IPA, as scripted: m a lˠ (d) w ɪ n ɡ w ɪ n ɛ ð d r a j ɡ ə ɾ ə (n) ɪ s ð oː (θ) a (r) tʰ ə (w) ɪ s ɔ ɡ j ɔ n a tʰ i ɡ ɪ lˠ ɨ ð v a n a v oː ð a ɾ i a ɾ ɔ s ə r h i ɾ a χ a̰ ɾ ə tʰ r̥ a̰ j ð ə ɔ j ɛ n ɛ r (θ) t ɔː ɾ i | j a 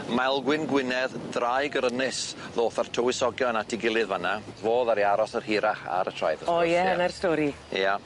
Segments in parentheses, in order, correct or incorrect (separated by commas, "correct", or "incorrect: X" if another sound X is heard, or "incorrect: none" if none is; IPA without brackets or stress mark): incorrect: ɡ, correct, correct, correct, correct, incorrect: s